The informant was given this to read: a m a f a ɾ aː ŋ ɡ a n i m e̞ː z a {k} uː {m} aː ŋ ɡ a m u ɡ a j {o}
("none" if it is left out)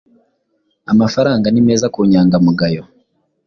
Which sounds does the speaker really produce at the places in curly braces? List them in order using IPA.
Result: k, ɲ, o

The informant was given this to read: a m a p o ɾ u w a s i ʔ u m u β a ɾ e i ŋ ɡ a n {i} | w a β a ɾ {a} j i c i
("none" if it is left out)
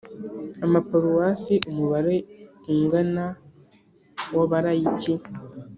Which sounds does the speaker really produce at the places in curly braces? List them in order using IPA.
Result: a, a

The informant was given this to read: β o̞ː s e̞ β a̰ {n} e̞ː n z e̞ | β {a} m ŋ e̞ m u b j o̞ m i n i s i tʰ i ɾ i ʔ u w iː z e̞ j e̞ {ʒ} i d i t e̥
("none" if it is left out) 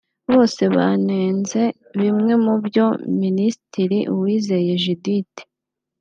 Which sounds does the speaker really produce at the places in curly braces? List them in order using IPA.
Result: n, i, ʒ

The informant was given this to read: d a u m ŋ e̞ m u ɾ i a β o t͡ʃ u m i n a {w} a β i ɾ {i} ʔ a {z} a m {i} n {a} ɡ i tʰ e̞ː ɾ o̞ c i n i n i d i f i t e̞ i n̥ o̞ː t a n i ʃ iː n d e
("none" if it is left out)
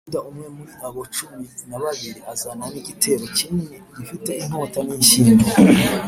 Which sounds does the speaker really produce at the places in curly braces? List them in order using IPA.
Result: β, i, z, a, i

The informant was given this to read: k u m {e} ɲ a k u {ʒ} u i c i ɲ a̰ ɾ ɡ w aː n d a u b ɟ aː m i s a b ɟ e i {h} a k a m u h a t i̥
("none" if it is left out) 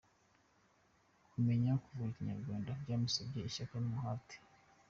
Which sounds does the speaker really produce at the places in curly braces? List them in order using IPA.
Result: e, v, ʃ

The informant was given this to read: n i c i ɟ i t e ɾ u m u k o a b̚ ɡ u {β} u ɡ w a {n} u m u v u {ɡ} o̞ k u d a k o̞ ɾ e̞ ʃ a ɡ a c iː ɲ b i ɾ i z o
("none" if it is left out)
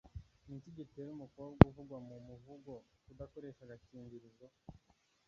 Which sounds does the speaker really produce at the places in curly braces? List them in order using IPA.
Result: v, m, ɡ

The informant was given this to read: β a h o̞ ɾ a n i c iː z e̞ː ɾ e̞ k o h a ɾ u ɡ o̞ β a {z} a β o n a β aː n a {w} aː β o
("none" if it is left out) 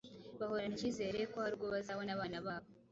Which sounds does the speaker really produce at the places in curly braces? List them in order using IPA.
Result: z, β

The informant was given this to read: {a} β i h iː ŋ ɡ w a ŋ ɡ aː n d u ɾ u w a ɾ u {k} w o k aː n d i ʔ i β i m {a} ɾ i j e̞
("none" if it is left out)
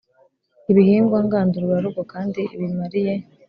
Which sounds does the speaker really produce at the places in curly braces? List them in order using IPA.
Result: i, ɡ, a

